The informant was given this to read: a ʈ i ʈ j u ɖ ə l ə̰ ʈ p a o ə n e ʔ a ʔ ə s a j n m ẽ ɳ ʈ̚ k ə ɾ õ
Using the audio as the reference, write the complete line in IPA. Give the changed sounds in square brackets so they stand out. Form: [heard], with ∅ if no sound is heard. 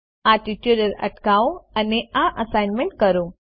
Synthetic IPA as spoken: a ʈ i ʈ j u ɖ ə [ɾ] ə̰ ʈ [k] a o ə n e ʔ a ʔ ə s a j n m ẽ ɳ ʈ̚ k ə ɾ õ